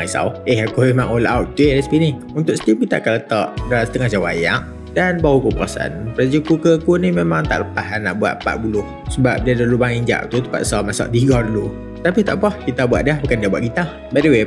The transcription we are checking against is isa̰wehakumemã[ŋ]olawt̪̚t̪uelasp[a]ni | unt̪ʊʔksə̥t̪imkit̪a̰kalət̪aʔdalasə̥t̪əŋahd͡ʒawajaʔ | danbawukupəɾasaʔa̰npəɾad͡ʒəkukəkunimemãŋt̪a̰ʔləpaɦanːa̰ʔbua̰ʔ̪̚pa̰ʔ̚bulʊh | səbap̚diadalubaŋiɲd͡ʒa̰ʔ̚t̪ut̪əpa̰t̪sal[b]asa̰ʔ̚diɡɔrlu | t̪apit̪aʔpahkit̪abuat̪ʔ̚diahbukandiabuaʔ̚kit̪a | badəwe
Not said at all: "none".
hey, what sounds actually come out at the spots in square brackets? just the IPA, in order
ŋ, i, m

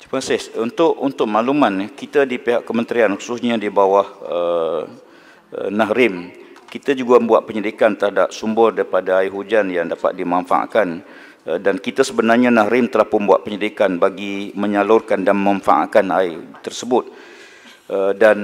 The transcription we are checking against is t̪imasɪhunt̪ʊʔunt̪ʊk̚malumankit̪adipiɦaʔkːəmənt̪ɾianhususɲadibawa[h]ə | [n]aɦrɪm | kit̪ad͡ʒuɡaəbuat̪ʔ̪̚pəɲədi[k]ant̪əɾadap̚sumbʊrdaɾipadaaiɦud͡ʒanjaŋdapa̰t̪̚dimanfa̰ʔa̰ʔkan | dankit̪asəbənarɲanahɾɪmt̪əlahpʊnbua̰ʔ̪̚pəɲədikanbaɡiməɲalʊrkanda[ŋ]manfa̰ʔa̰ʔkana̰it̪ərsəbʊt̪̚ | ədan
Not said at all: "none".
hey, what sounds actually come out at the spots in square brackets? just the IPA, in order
h, n, k, n

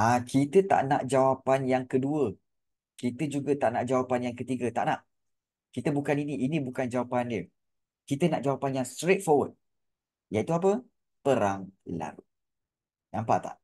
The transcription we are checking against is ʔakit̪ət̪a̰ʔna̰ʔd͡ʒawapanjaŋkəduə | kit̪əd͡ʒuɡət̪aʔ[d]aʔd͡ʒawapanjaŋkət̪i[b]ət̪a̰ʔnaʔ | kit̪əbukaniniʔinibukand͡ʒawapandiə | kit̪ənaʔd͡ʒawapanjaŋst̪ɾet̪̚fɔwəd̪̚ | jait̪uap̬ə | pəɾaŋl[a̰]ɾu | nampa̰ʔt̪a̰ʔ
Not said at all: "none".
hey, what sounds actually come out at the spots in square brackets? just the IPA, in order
n, ɡ, a̰

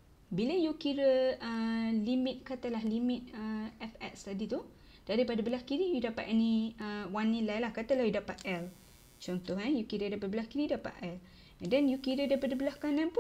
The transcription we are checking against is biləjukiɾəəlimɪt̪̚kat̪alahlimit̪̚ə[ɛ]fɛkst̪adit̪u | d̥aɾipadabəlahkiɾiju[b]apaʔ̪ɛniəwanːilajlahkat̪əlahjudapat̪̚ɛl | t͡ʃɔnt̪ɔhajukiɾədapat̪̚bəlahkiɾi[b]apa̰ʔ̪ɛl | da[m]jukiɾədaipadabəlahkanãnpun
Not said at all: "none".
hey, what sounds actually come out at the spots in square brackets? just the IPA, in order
ɛ, d, d, n

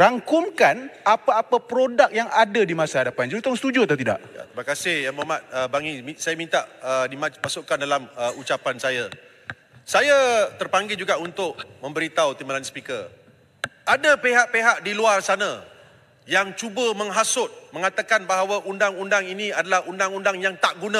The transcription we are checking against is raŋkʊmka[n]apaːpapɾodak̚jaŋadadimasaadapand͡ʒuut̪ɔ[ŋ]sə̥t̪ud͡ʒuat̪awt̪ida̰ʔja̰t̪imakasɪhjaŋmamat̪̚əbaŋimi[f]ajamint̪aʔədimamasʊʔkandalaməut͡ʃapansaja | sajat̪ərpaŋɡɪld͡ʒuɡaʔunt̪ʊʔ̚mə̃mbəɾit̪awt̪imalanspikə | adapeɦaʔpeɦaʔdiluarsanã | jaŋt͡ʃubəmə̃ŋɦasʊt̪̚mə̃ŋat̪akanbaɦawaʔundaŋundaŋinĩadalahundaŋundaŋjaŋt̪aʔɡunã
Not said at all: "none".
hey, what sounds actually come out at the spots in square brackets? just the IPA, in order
n, ŋ, s

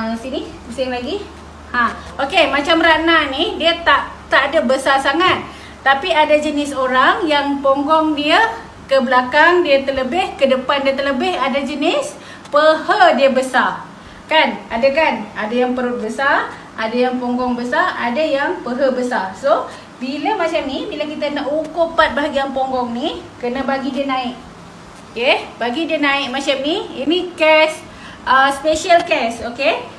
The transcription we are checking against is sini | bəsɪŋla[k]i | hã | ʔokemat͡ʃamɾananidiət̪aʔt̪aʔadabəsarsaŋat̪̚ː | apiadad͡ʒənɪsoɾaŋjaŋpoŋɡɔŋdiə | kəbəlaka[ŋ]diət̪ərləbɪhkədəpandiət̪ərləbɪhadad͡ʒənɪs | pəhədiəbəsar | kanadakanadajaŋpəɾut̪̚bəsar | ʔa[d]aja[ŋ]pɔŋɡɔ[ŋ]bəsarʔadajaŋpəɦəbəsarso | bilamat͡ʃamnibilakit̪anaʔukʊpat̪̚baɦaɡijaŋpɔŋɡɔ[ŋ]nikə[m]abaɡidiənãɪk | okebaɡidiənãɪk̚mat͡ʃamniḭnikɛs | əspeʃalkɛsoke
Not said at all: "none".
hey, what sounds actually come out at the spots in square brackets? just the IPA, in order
ɡ, ŋ, d, ŋ, ŋ, ŋ, n

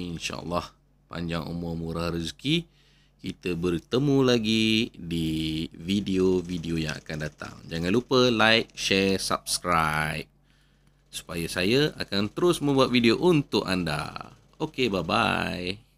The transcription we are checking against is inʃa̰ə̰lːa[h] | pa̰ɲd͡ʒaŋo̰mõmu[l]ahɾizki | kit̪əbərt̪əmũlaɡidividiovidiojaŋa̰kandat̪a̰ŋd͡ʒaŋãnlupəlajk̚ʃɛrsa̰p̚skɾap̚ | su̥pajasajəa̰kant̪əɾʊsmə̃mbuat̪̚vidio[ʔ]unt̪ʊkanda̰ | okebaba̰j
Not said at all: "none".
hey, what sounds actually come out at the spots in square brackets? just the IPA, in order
h, ɾ, ʔ

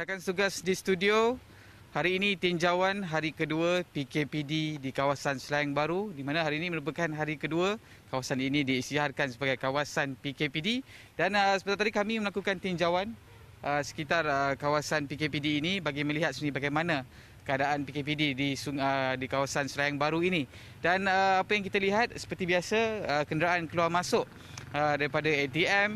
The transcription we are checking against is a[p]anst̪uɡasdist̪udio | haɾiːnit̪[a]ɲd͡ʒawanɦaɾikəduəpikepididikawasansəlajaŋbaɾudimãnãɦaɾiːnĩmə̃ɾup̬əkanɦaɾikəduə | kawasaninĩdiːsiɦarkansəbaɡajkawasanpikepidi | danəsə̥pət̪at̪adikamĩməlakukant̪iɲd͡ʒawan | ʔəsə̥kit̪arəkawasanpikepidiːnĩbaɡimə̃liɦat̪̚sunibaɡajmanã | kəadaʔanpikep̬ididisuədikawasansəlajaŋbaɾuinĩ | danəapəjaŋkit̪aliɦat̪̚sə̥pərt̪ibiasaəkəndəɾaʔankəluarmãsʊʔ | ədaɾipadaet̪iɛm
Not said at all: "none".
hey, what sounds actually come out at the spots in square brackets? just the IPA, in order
k, i

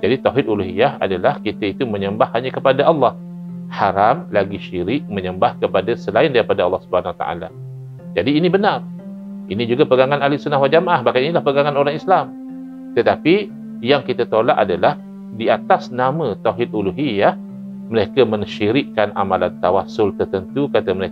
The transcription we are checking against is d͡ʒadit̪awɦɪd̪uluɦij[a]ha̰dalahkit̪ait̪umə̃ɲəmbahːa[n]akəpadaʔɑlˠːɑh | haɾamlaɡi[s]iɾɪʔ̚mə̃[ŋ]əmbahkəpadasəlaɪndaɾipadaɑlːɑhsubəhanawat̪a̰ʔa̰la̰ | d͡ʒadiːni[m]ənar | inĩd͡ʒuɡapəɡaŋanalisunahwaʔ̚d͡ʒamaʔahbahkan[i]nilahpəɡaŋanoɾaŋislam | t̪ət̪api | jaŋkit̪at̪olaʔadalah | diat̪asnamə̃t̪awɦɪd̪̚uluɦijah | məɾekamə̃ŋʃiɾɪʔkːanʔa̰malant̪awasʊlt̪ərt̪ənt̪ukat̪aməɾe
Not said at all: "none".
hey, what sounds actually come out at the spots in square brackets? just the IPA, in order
a, ɲ, ʃ, ɲ, b, i

